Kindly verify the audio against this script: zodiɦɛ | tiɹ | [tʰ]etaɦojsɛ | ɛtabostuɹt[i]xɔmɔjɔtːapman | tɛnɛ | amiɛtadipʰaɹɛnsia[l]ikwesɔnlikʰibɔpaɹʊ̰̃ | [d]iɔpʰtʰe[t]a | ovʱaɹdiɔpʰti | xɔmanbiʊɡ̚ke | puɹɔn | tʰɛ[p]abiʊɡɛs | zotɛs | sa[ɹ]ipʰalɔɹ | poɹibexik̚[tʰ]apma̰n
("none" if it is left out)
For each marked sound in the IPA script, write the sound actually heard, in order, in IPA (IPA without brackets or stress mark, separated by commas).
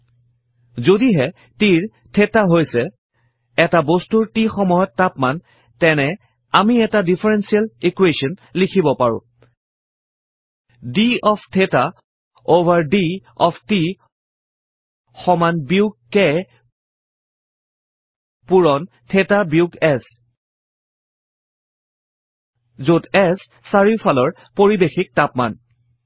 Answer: tʰ, i, l, d, t, t, ɹ, t